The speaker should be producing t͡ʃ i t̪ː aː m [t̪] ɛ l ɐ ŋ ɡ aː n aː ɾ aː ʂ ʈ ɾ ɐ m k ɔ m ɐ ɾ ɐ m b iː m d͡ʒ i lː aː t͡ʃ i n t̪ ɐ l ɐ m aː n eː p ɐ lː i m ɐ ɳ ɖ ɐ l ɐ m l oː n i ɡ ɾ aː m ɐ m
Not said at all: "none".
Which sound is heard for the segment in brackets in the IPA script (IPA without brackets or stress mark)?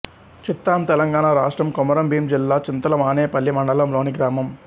t̪